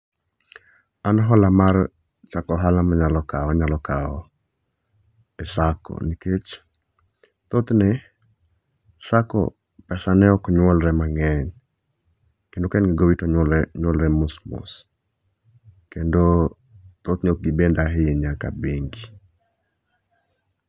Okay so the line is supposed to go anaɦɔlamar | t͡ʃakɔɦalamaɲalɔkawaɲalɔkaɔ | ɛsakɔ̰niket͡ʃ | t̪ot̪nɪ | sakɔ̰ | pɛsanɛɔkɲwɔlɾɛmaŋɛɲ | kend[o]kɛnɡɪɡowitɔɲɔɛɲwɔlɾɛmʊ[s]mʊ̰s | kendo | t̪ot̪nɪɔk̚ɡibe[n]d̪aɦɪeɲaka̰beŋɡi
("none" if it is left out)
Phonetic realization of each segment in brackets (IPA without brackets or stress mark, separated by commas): o, s, n